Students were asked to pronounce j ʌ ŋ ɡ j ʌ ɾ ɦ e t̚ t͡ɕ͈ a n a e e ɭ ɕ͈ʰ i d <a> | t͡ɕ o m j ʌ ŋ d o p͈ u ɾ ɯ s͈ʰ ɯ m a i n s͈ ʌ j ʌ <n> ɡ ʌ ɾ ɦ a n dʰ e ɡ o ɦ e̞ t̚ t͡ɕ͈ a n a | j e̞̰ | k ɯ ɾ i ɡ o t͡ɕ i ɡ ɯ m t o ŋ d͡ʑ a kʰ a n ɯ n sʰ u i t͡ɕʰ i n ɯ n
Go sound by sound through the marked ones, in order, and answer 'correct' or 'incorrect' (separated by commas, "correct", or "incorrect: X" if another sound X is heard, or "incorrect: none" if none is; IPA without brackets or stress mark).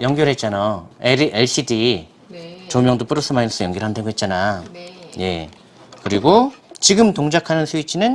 incorrect: i, incorrect: ŋ